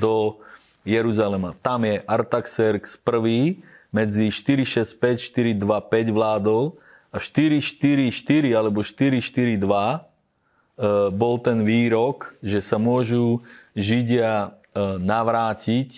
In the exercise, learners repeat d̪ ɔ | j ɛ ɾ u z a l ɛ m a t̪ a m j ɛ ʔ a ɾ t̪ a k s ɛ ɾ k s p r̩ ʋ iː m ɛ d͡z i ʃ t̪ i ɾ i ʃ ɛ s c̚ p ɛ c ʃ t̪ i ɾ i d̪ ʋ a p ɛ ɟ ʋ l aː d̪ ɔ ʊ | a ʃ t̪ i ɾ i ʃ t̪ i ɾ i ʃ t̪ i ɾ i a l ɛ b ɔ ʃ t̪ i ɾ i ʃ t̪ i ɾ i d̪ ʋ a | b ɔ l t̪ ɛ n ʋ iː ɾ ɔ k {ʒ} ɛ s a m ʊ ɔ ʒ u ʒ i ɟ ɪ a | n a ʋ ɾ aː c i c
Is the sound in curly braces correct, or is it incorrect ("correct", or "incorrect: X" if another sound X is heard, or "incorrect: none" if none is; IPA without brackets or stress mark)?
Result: correct